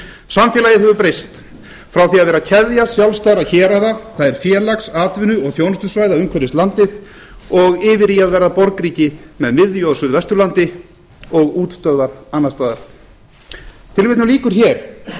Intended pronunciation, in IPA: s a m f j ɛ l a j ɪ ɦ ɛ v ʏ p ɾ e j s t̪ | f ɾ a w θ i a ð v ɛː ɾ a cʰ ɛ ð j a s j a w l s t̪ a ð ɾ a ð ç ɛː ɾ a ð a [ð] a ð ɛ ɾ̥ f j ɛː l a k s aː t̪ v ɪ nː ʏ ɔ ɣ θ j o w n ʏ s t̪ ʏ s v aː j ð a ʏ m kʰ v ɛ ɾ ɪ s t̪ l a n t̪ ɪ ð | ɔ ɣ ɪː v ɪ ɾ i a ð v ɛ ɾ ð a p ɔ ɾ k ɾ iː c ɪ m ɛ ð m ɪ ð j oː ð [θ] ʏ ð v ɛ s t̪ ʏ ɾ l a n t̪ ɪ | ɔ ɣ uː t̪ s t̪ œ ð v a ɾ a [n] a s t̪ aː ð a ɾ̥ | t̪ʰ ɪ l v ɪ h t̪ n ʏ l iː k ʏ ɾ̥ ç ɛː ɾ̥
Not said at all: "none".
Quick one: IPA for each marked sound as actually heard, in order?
θ, s, nː

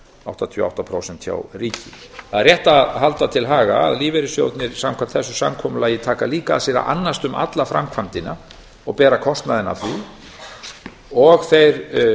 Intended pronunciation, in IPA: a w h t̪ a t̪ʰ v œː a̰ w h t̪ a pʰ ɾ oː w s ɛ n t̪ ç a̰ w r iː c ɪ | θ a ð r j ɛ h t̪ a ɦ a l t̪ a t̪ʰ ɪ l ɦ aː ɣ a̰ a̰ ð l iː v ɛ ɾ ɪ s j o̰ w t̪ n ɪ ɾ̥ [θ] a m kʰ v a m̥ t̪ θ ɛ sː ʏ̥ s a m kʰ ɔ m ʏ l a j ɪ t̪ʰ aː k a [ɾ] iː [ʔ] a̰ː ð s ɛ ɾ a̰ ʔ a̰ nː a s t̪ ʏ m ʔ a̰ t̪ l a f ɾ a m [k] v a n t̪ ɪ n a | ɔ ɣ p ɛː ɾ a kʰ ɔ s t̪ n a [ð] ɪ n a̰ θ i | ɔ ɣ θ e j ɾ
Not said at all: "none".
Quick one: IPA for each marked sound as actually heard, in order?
s, l, k, kʰ, ð

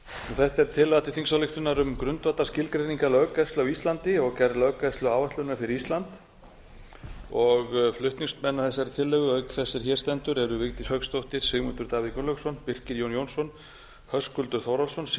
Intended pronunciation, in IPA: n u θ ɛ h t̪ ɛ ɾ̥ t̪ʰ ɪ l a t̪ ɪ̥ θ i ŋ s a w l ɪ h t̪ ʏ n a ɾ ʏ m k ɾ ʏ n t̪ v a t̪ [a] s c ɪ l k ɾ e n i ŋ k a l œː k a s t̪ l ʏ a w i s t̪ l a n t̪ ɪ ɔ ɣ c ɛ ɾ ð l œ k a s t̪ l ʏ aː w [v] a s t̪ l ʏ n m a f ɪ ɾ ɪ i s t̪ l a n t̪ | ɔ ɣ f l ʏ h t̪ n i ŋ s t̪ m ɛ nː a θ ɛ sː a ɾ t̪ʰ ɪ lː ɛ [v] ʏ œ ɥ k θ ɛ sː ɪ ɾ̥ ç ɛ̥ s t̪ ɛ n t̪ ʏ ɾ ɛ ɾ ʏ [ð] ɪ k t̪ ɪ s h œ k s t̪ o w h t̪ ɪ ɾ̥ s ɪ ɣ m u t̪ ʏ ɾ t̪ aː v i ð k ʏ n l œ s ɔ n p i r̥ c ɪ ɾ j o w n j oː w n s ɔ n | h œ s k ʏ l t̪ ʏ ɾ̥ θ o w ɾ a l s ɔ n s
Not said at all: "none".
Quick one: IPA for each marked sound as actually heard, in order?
a, v, ɣ, v

